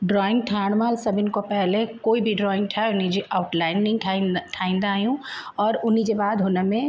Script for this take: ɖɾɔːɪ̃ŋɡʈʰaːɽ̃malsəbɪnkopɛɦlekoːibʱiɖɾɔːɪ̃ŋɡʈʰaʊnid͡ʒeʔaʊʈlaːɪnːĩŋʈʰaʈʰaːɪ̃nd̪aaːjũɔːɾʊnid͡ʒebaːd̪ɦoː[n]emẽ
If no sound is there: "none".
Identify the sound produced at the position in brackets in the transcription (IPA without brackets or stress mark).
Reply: n